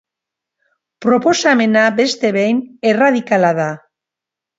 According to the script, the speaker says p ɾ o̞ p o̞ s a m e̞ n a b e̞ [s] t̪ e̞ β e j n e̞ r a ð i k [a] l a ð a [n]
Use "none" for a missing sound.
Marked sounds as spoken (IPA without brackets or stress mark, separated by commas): s, a, none